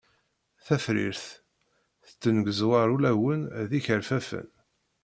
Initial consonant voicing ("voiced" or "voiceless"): voiceless